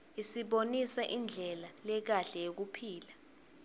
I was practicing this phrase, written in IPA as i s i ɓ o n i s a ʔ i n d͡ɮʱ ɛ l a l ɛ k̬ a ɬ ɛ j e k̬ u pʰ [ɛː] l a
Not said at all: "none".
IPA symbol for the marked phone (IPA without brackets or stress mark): iː